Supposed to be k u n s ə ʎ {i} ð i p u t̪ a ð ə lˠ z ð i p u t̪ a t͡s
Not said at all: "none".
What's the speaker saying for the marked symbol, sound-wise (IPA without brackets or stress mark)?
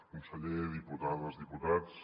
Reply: e